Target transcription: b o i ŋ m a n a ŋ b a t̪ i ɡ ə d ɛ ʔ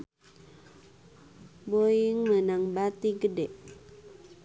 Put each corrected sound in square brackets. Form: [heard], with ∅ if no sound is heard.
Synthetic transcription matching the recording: b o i ŋ m [ə] n a ŋ b a t̪ i ɡ ə d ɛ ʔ